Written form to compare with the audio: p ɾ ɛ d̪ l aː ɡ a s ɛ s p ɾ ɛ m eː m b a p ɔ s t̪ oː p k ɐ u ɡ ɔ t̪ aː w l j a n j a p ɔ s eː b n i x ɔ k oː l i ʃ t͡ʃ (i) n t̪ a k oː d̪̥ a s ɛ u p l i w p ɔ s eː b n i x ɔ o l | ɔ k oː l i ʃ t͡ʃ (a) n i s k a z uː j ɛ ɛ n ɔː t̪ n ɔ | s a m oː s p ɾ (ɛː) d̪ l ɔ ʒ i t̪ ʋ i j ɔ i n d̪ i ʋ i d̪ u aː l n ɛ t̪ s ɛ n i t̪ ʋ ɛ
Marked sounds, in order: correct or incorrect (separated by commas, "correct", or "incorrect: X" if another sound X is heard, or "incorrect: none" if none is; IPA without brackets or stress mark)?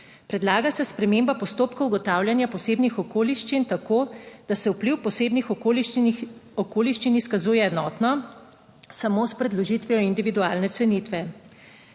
correct, incorrect: i, incorrect: ɛ